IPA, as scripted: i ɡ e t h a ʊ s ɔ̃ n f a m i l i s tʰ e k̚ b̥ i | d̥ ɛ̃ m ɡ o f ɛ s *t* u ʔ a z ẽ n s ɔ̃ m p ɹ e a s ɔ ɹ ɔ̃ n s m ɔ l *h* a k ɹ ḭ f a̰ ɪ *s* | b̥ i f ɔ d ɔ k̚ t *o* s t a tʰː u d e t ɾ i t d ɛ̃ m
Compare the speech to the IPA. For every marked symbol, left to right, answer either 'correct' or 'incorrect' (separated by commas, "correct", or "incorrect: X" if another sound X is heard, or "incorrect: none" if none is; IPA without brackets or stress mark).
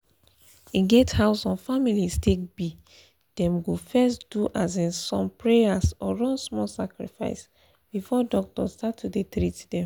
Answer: incorrect: d, incorrect: s, correct, incorrect: ɔ